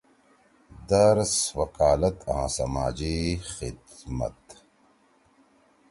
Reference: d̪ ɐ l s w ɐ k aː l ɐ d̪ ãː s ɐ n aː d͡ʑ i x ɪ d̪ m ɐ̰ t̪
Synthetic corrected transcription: d̪ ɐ ɾ s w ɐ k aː l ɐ t̪ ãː s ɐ m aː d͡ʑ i x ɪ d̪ m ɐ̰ t̪